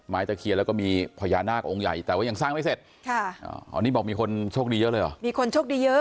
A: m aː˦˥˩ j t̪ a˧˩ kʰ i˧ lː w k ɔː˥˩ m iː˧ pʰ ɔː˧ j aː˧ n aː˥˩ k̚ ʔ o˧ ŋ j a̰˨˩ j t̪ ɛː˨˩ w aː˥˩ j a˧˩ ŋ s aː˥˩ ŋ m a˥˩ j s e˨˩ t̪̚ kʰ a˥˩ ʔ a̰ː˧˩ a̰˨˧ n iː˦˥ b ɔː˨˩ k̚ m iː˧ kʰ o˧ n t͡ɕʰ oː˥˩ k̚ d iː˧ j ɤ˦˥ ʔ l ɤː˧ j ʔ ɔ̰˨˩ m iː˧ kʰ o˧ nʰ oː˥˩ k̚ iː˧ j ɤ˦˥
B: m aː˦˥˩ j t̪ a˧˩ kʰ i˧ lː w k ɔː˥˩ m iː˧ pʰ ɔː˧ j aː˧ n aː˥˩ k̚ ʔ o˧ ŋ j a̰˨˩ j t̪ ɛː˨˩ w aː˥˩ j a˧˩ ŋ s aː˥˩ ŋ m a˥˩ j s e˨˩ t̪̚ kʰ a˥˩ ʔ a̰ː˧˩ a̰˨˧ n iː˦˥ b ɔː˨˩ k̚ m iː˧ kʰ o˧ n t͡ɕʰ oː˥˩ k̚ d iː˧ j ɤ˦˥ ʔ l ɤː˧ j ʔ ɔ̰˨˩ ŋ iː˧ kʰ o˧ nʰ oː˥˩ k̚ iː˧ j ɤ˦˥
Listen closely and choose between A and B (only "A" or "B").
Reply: A